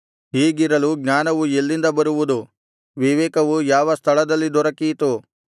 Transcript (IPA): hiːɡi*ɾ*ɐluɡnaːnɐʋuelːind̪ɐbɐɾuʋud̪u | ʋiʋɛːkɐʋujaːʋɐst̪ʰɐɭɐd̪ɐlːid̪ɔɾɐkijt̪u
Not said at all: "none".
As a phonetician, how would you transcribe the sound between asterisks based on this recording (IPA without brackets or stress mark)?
ɾ